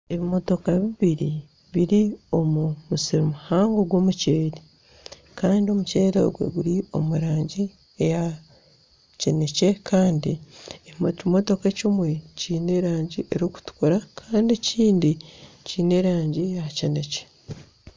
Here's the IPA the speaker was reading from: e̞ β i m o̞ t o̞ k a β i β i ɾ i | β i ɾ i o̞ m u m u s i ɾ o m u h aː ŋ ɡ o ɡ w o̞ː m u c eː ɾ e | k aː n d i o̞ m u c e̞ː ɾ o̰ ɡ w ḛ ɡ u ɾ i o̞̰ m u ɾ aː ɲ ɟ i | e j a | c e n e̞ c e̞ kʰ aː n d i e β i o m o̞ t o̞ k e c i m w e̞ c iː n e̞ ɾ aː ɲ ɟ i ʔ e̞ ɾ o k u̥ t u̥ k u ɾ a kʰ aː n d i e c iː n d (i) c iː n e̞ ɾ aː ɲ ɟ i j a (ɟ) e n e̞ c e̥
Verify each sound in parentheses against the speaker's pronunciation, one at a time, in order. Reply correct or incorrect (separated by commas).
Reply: correct, incorrect